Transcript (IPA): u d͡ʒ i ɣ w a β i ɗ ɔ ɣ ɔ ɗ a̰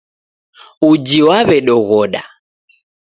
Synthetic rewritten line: u d͡ʒ i w a β ɛ ɗ ɔ ɣ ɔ ɗ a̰